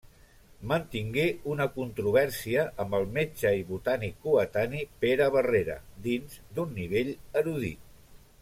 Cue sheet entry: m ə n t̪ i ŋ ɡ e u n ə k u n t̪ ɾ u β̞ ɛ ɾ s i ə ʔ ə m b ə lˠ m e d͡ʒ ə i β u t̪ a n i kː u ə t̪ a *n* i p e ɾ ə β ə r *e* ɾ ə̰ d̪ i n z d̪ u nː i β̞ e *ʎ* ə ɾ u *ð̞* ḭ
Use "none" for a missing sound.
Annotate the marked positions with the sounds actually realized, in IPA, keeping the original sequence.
n, e, ʎ, ð̞

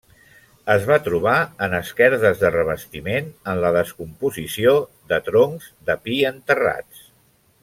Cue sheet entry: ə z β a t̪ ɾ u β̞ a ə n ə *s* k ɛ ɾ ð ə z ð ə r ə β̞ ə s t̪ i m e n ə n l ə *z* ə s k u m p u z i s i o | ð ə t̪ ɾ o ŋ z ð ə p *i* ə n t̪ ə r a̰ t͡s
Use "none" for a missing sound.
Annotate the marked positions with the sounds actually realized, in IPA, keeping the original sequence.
s, ð, i

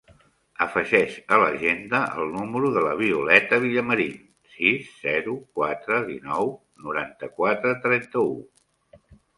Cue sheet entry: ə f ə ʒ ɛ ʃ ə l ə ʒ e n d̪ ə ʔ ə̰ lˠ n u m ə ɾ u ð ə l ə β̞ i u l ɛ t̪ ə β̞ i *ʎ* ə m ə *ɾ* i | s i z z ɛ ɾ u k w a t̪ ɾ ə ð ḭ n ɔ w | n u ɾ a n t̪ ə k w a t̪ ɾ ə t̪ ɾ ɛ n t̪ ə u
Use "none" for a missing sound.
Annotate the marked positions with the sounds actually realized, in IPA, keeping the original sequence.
ʎ, ɾ

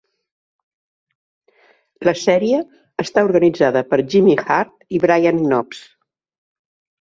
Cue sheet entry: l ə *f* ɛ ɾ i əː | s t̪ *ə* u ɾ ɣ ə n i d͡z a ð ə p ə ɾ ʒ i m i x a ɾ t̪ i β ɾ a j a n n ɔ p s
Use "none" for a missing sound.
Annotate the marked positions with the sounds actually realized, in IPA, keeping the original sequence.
s, a

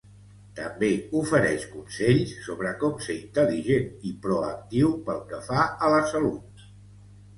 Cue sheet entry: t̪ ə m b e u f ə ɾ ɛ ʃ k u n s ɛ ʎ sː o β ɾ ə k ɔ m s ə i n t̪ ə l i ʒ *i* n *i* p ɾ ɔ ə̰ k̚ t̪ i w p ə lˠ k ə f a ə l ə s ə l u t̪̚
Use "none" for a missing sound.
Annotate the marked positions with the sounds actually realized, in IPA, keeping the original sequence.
e, i

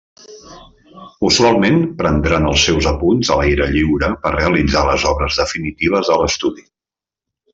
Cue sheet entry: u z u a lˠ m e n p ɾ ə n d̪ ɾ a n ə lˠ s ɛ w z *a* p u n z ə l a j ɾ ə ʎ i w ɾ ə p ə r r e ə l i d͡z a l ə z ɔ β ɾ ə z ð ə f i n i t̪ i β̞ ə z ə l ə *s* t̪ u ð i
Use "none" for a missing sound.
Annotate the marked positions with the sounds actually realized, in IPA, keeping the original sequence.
ə, s

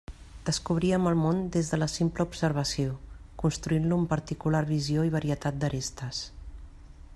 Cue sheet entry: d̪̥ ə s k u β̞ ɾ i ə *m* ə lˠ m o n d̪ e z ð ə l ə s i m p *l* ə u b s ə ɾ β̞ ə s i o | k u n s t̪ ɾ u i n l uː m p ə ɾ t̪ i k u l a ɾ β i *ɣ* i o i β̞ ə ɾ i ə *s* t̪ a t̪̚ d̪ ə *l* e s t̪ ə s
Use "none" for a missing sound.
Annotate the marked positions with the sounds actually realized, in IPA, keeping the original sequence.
m, l, z, none, ɾ

